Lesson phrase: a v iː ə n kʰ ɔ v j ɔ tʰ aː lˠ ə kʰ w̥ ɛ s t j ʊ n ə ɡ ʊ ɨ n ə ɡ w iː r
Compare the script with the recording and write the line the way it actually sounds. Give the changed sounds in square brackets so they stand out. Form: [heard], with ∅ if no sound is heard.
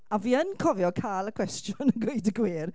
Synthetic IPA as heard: a v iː ə n kʰ ɔ v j ɔ [kʰ] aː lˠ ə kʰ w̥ ɛ s t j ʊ n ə ɡ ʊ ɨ [d] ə ɡ w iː r